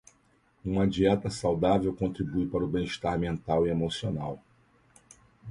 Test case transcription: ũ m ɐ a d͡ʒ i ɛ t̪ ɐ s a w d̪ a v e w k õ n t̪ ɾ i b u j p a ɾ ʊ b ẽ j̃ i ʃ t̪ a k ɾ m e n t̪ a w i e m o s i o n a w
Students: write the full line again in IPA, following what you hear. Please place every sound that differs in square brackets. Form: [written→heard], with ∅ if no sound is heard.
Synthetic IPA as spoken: ũ m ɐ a d͡ʒ i ɛ t̪ ɐ s a w d̪ a v e w k õ n t̪ ɾ i b u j p a ɾ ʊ b ẽ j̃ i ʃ t̪ a [k→∅] ɾ m [e→ẽ] n t̪ a w i e m o s i o n a w